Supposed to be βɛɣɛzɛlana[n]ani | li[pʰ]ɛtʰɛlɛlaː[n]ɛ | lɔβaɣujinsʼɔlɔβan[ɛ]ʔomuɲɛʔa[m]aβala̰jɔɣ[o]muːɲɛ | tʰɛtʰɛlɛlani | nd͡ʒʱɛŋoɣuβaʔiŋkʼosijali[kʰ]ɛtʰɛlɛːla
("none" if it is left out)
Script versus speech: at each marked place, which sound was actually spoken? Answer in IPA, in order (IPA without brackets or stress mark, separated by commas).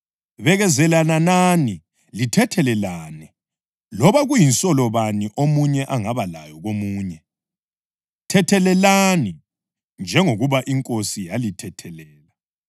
n, tʰ, n, i, ŋ, o, tʰ